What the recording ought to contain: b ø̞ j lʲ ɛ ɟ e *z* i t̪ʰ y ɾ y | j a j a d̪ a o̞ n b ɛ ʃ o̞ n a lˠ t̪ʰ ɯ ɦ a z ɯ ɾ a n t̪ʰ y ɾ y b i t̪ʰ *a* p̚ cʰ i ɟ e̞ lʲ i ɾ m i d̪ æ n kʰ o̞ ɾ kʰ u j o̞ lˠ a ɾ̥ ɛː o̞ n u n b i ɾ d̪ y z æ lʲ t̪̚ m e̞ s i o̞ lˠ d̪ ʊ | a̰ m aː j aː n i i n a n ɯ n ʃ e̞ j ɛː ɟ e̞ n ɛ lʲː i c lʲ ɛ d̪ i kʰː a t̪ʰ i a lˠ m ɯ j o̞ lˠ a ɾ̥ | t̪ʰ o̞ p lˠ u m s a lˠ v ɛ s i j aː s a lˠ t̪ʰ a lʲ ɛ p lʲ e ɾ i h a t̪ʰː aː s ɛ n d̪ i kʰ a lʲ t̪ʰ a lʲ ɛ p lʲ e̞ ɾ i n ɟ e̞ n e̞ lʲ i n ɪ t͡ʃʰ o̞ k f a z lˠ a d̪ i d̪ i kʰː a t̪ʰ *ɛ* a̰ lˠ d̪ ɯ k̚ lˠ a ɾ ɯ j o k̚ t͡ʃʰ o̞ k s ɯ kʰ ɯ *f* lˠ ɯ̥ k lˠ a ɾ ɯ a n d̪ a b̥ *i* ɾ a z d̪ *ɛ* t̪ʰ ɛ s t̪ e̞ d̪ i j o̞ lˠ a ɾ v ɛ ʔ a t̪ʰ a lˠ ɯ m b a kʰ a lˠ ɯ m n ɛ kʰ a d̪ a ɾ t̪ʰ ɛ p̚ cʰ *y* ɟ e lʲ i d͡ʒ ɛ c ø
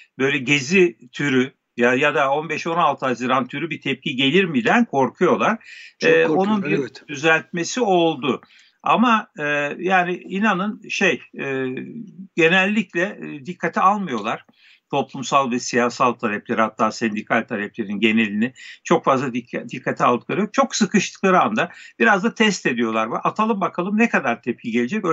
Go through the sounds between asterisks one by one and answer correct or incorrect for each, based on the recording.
correct, incorrect, incorrect, incorrect, correct, incorrect, incorrect

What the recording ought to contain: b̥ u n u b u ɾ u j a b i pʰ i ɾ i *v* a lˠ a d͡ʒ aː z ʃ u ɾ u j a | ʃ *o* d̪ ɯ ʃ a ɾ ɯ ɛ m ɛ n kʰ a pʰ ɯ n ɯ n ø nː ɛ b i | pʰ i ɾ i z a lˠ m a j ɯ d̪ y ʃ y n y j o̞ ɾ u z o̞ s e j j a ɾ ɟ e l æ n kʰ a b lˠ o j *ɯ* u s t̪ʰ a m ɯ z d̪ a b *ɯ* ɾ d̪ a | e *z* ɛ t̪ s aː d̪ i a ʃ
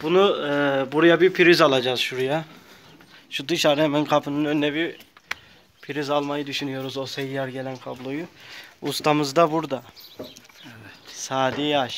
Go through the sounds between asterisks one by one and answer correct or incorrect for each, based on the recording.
incorrect, incorrect, incorrect, incorrect, incorrect

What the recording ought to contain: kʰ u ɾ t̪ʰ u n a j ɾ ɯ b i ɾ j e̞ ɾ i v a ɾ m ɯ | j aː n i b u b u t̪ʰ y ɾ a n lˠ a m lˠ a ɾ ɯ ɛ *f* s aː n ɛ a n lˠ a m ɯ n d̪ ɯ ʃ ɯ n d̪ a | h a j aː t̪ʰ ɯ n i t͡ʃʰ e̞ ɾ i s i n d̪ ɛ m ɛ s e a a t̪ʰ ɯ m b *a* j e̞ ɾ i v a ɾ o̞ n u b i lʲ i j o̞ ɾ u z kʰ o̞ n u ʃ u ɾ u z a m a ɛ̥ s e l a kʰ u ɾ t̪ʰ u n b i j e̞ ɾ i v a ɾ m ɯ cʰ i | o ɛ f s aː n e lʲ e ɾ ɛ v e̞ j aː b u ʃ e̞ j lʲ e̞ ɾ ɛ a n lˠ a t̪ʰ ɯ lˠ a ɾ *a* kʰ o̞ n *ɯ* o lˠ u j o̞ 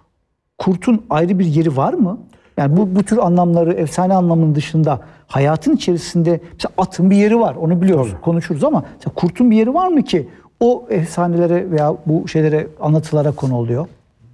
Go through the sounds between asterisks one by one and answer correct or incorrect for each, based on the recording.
correct, incorrect, correct, incorrect

